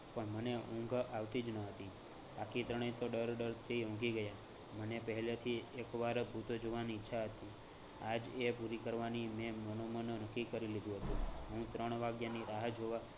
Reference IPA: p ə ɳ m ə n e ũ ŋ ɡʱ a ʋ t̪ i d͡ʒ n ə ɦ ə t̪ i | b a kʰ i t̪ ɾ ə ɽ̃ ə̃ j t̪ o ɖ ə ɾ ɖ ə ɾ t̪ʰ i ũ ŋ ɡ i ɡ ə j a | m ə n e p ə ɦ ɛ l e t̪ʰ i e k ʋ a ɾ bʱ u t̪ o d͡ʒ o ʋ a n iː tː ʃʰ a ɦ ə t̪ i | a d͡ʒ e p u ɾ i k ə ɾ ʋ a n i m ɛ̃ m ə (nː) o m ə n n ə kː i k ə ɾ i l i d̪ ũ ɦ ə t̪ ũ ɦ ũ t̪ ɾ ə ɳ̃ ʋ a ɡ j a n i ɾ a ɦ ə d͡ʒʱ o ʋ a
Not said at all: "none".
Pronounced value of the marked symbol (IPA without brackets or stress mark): n